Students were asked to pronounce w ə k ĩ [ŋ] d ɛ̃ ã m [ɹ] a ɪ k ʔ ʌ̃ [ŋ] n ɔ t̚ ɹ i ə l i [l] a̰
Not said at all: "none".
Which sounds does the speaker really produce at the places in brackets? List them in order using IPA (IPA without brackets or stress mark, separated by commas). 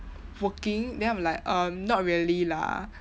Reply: ŋ, l, m, l